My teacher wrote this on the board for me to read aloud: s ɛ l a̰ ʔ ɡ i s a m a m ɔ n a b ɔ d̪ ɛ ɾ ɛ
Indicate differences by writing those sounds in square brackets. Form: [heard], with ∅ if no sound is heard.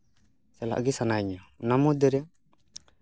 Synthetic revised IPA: s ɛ l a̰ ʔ ɡ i s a [n] a [ɲ] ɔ n a [m] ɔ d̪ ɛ ɾ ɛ